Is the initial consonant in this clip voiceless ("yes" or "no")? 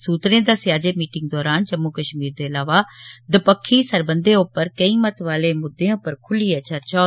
yes